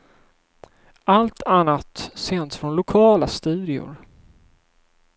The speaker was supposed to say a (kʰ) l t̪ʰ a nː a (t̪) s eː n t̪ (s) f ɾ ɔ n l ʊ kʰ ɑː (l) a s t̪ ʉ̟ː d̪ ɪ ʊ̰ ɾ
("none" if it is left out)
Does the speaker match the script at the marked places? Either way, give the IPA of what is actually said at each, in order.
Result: none, t̪, s, l

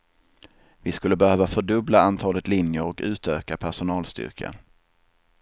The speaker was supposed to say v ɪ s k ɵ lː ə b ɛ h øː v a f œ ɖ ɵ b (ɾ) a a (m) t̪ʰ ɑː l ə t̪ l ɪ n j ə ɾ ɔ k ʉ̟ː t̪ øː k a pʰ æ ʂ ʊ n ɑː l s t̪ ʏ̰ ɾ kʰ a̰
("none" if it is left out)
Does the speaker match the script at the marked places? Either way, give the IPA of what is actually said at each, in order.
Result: l, n

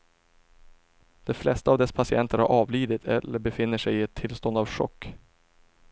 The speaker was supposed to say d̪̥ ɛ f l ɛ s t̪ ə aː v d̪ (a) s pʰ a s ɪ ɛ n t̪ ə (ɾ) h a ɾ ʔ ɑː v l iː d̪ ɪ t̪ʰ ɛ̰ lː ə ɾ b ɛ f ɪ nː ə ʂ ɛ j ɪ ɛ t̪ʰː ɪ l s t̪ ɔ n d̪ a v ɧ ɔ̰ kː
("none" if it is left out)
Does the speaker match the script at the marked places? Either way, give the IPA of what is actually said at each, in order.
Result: ɛ, ɾ

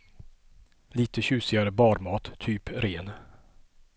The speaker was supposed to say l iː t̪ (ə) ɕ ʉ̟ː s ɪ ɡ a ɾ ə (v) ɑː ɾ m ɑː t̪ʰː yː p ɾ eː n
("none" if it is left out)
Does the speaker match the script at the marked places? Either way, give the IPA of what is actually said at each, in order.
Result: ə, b

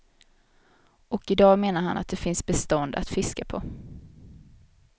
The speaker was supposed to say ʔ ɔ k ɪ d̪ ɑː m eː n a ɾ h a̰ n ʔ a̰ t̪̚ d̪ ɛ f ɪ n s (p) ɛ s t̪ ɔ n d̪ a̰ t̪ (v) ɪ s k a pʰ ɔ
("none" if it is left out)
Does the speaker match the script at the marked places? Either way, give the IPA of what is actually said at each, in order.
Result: b, f

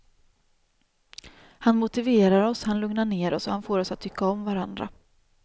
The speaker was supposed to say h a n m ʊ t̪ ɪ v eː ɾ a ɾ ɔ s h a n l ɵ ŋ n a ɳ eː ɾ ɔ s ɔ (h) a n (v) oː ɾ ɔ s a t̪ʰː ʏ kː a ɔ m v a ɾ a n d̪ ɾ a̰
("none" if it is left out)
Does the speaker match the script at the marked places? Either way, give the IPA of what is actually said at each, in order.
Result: h, f

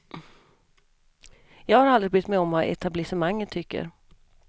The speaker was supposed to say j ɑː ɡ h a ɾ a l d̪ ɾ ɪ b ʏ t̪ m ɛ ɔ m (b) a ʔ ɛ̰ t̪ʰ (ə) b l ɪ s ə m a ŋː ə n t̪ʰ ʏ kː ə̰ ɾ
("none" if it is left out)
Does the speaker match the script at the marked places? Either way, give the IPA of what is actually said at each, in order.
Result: v, a

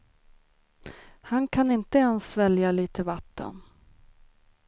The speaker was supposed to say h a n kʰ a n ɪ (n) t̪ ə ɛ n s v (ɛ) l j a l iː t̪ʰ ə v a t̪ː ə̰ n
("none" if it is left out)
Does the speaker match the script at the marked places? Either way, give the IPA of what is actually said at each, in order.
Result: n, ɛ

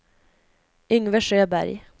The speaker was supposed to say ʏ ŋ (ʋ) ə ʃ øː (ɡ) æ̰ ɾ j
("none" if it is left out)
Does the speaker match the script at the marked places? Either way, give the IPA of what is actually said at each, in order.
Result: ʋ, b

